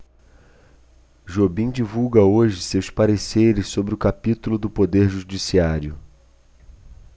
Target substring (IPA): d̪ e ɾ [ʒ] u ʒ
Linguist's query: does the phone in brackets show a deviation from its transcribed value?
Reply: no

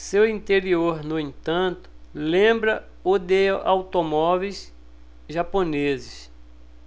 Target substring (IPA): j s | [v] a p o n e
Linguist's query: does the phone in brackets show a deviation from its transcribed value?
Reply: yes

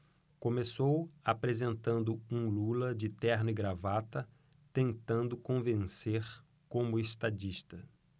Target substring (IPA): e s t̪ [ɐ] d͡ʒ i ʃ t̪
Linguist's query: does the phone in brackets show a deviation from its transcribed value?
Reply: yes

